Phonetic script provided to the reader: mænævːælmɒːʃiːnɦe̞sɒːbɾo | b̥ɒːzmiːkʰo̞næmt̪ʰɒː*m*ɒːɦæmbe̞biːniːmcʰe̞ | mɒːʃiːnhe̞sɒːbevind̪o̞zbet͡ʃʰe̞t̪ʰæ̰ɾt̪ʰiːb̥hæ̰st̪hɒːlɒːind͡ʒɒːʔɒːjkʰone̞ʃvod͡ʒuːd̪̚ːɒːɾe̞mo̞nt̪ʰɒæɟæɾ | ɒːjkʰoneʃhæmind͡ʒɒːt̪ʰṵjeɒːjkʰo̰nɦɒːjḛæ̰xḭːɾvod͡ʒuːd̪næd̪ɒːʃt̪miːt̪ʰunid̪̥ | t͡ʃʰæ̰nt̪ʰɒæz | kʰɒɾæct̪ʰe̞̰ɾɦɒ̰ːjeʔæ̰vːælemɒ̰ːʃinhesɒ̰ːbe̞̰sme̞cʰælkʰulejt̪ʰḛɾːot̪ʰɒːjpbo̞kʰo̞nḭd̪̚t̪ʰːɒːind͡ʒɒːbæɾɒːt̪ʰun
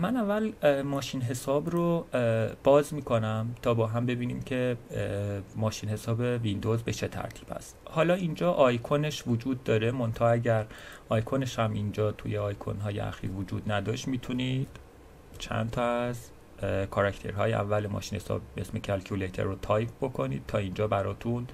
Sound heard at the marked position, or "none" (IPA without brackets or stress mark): b